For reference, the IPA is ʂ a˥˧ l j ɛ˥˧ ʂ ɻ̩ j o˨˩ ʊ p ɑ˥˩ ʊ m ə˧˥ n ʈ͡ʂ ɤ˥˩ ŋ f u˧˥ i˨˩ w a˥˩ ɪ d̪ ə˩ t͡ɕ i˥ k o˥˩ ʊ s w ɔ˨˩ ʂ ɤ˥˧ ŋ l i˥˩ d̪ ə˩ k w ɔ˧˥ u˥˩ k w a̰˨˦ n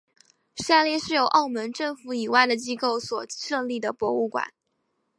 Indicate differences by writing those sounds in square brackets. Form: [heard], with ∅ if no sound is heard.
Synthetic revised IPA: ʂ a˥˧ l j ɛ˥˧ ʂ ɻ̩ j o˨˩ ʊ [ʔ] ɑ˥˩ ʊ m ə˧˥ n ʈ͡ʂ ɤ˥˩ ŋ f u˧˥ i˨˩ w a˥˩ ɪ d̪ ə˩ t͡ɕ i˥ k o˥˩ ʊ s w ɔ˨˩ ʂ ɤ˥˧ ŋ l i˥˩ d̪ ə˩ [p] w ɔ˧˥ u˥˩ k w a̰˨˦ n